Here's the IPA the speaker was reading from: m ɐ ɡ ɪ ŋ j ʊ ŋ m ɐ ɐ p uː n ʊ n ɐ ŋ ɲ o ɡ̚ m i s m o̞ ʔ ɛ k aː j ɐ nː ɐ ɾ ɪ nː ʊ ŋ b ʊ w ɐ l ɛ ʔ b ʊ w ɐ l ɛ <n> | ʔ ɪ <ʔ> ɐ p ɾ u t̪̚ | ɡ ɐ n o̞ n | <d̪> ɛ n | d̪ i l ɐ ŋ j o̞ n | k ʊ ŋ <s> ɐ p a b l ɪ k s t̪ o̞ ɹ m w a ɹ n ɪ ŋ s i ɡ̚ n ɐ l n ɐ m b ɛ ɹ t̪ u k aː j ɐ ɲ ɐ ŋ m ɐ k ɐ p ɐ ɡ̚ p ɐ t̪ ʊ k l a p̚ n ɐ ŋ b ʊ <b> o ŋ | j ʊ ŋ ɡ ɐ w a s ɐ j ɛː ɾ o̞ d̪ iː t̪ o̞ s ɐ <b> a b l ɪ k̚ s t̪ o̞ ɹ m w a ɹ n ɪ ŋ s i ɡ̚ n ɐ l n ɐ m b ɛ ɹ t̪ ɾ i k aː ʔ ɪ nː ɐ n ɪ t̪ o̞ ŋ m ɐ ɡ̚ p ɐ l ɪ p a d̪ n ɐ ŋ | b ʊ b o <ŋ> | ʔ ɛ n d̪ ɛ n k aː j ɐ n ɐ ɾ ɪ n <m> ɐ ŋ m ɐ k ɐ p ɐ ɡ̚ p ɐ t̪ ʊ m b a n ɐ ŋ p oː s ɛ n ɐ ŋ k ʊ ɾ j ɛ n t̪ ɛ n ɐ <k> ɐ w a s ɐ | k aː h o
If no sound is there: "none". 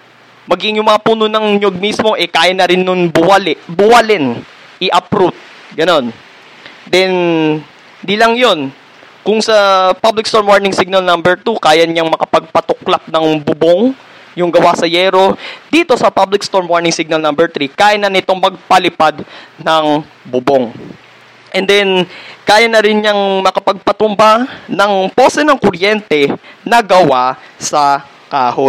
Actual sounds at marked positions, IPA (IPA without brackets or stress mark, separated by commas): n, ʔ, d̪, s, b, p, ŋ, ɲ, ɡ